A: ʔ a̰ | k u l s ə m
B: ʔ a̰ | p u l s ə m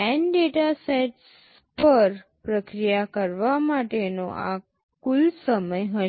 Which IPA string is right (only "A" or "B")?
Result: A